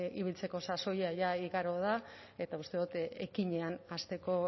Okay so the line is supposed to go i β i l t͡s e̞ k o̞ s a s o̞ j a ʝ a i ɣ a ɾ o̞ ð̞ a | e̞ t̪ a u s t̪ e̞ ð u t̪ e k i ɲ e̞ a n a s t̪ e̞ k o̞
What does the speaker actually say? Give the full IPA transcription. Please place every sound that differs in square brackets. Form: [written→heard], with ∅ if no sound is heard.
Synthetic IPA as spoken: i β i l t͡s e̞ k o̞ s a s o̞ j a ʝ a i ɣ a ɾ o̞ ð̞ a | e̞ t̪ a u s t̪ e̞ ð u t̪ e k i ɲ e̞ a n a s t̪ e̞ k o̞